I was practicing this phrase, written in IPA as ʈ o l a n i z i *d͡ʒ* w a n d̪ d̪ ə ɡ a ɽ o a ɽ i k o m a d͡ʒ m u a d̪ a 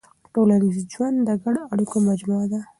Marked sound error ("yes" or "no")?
no